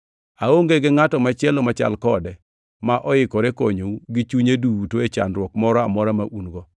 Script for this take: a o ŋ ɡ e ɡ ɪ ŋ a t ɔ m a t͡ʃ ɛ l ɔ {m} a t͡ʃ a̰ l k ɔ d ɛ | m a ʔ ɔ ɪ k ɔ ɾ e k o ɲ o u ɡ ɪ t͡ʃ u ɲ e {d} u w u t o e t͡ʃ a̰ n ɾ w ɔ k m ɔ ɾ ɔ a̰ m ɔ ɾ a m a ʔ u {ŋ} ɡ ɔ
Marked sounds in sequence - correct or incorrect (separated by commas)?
correct, correct, incorrect